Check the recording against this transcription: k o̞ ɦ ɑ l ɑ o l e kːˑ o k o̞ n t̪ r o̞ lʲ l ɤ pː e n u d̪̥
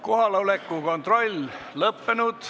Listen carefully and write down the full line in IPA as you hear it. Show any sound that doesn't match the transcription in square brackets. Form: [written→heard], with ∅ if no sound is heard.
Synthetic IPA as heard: k o̞ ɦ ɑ l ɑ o l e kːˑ [o→u] k o̞ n t̪ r o̞ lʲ l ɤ pː e n u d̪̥